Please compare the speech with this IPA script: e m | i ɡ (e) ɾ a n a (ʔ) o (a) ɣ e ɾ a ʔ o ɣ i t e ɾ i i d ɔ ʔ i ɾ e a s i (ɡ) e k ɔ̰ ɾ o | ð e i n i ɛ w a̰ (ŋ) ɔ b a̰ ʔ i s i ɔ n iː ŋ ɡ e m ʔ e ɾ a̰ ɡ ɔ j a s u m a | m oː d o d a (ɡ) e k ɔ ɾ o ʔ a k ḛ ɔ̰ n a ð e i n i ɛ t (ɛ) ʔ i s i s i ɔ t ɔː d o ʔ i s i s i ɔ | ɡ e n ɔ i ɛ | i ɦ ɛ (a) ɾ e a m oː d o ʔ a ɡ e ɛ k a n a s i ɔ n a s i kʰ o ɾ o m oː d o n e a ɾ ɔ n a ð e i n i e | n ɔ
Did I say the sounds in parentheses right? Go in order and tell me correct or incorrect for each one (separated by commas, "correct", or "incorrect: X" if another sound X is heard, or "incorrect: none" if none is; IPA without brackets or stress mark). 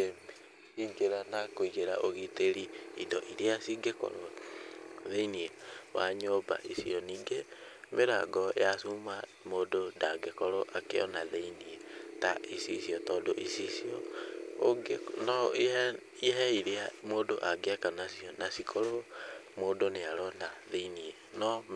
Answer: correct, incorrect: k, incorrect: i, correct, incorrect: ɲ, correct, incorrect: a, incorrect: i